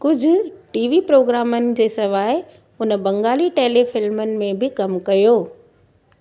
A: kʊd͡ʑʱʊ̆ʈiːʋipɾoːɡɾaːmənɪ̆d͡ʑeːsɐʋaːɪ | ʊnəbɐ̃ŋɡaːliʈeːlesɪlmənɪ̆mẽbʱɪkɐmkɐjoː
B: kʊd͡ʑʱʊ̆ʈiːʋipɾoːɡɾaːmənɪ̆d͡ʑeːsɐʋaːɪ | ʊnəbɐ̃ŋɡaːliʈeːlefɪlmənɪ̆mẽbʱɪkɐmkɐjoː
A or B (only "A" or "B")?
B